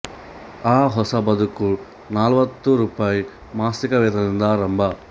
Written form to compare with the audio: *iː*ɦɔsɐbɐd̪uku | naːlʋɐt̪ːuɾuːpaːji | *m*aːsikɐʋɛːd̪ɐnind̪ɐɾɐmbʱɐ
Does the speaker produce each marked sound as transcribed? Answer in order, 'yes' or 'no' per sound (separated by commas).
no, yes